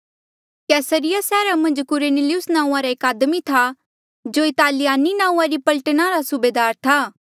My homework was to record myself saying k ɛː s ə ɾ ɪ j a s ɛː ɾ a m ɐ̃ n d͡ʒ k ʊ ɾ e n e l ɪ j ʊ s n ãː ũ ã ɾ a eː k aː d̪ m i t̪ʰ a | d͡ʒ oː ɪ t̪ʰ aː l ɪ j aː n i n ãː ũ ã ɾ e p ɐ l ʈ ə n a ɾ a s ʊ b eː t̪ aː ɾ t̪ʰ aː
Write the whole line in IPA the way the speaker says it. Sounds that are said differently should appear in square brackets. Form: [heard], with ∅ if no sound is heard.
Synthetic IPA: k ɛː s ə ɾ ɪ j a s ɛː ɾ a m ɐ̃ n d͡ʒ k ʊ ɾ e n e l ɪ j ʊ s n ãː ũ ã ɾ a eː k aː d̪ m i t̪ʰ a | d͡ʒ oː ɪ [t̪] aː l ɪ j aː n i n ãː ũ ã ɾ [i] p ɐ l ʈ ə n a ɾ a s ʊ b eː [d̪] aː ɾ t̪ʰ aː